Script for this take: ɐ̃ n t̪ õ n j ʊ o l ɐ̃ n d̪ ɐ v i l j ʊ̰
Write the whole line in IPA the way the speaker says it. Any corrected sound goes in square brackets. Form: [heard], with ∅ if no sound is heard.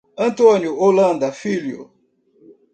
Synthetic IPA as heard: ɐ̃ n t̪ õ n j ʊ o l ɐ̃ n d̪ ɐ [f] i l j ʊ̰

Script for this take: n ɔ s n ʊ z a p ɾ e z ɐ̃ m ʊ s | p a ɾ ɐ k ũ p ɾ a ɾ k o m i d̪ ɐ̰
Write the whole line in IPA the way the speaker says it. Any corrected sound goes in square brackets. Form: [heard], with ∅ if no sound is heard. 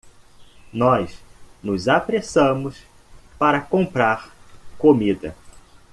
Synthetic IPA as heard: n ɔ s n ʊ z a p ɾ e [s] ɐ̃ m ʊ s | p a ɾ ɐ k [õ] p ɾ a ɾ k o m i d̪ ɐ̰

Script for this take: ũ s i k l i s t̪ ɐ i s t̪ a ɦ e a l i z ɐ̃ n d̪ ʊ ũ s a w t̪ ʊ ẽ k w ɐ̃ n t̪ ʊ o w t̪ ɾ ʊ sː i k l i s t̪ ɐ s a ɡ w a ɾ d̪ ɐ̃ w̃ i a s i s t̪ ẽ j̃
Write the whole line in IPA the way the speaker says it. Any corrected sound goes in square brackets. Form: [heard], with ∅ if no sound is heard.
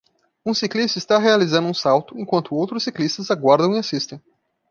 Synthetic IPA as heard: ũ s i k l i s t̪ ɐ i s t̪ a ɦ e a l i z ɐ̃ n d̪ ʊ ũ s a w t̪ ʊ ẽ k w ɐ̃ n t̪ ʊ o w t̪ ɾ ʊ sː i k l i s t̪ ɐ [z] a ɡ w a ɾ d̪ ɐ̃ w̃ i a s i s t̪ ẽ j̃

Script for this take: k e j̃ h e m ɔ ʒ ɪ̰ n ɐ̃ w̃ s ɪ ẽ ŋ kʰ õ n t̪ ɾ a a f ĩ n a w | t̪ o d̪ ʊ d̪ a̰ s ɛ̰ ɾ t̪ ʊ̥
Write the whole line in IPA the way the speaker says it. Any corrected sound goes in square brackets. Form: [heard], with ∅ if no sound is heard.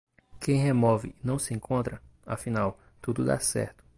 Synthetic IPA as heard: k [ẽ] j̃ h e m ɔ [v] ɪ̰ n ɐ̃ w̃ s ɪ ẽ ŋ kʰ õ n t̪ ɾ [ɐ] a f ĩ n a w | t̪ [u] d̪ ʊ d̪ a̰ s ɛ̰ ɾ t̪ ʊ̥

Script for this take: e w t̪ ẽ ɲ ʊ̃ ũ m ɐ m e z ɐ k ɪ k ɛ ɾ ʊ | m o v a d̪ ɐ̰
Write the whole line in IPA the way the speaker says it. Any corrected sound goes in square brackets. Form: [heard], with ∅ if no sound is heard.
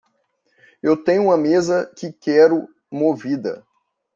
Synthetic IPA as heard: e w t̪ ẽ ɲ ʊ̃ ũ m ɐ m e z ɐ k ɪ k ɛ ɾ ʊ | m o v [i] d̪ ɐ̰

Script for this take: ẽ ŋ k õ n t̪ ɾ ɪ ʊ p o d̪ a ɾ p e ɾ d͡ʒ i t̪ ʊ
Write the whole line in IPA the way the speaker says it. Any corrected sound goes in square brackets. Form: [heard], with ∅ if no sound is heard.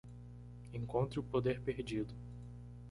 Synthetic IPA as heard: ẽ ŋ k õ n t̪ ɾ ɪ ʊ p o d̪ [e] ɾ p e ɾ d͡ʒ i [d̪] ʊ

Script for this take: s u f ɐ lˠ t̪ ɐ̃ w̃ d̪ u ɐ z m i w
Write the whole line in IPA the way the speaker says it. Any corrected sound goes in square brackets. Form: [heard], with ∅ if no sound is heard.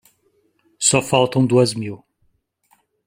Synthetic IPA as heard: s [ɔ] f [a] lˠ t̪ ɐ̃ w̃ d̪ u ɐ z m i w

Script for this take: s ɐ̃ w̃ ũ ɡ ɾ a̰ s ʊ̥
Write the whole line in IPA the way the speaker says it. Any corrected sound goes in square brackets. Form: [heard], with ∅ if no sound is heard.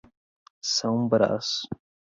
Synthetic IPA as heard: s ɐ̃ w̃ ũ [b] ɾ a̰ s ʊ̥

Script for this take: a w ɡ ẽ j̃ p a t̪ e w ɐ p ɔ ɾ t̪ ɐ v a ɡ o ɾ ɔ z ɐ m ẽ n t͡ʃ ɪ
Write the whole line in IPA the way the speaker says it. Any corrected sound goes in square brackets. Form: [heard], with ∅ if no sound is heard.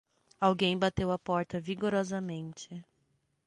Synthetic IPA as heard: a w ɡ ẽ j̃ [b] a t̪ e w ɐ p ɔ ɾ t̪ ɐ v [i] ɡ o ɾ ɔ z ɐ m ẽ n t͡ʃ ɪ

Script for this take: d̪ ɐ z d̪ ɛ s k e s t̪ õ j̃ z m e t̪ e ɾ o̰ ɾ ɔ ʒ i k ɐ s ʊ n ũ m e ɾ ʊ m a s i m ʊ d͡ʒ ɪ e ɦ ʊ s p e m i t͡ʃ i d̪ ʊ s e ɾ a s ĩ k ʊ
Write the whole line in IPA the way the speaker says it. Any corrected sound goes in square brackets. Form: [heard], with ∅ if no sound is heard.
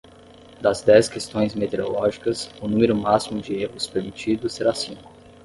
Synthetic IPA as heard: d̪ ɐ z d̪ ɛ s k e s t̪ õ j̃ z m e t̪ e ɾ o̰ [l] ɔ ʒ i k ɐ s ʊ n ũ m e ɾ ʊ m a s i m ʊ d͡ʒ ɪ e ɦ ʊ s p e m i t͡ʃ i d̪ ʊ s e ɾ a s ĩ k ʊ

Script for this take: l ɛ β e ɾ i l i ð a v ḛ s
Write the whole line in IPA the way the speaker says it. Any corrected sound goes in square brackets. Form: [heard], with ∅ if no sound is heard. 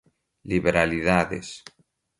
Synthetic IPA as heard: l [i] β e ɾ [a] l i ð a [ð] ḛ s

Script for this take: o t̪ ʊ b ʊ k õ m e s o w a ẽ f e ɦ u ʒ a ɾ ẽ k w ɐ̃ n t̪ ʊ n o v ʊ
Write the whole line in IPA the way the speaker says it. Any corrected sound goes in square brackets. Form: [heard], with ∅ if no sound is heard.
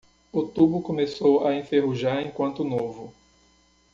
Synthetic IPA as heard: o t̪ [u] b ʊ k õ m e s o w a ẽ f e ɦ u ʒ a ɾ ẽ k w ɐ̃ n t̪ ʊ n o v ʊ

